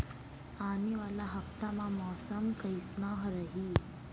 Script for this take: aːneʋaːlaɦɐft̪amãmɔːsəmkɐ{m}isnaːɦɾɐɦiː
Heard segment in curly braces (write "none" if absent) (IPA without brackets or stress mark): none